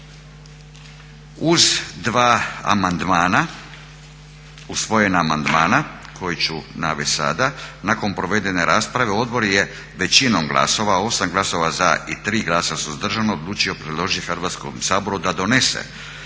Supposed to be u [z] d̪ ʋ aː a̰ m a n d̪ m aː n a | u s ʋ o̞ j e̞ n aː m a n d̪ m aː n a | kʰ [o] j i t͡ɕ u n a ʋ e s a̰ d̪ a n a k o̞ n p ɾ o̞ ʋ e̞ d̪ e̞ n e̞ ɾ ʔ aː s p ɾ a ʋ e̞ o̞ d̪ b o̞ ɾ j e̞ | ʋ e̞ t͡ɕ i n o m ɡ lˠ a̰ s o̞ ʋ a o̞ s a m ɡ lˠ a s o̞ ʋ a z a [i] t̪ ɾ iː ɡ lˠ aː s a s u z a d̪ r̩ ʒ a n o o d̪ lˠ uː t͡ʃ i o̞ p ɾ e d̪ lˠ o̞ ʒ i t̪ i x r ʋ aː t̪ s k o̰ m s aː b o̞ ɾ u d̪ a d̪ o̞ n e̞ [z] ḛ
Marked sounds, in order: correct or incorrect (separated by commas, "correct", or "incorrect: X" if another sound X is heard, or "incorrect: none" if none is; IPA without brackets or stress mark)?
correct, correct, correct, incorrect: s